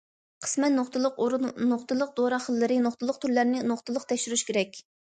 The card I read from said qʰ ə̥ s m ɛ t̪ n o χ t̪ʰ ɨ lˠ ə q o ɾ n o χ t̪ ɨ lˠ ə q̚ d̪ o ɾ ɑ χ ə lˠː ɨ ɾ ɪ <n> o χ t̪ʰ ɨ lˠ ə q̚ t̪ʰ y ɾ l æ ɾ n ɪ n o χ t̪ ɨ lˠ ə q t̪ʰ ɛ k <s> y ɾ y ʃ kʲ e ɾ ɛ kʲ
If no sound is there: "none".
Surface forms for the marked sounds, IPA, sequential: n, ʃ

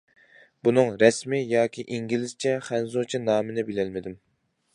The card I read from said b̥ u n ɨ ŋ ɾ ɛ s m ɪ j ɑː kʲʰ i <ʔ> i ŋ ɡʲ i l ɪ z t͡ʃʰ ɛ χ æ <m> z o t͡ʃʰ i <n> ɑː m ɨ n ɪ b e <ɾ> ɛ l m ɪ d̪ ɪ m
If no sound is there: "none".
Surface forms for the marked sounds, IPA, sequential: ʔ, n, n, l

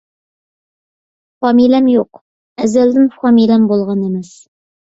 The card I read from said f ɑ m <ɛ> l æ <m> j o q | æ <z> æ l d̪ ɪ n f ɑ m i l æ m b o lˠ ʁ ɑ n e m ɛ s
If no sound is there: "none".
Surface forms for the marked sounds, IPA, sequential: i, m, z

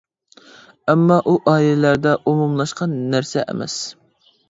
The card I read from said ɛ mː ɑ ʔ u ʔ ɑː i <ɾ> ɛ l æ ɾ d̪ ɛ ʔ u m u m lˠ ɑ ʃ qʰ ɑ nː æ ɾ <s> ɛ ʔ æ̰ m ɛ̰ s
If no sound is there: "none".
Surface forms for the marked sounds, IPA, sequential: l, s

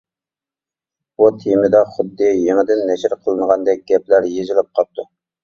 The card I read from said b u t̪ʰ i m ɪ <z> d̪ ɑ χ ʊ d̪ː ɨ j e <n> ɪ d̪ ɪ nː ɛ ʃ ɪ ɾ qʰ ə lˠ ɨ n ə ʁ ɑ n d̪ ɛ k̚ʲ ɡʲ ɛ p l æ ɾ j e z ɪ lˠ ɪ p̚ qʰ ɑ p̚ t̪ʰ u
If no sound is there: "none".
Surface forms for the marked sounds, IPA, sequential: none, ŋ

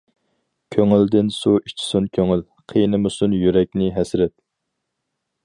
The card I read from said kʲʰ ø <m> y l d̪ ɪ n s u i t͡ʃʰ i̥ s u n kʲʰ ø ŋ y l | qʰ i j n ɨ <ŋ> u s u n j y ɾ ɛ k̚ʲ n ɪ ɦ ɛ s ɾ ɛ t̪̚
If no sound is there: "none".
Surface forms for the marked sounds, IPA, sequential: ŋ, m

